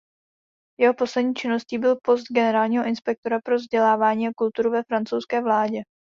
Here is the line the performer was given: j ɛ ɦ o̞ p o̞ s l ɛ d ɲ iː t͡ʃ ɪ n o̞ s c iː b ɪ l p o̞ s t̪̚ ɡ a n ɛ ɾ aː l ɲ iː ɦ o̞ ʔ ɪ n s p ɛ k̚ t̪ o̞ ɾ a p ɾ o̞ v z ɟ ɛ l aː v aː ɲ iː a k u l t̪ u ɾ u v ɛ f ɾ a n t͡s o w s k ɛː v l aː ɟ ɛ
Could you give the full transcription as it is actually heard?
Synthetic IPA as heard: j ɛ ɦ o̞ p o̞ s l ɛ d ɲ iː t͡ʃ ɪ n o̞ s c iː b ɪ l p o̞ s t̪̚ ɡ ɛ n ɛ ɾ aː l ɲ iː ɦ o̞ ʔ ɪ n s p ɛ k̚ t̪ o̞ ɾ a p ɾ o̞ v z ɟ ɛ l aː v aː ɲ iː a k u l t̪ u ɾ u v ɛ f ɾ a n t͡s o w s k ɛː v l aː ɟ ɛ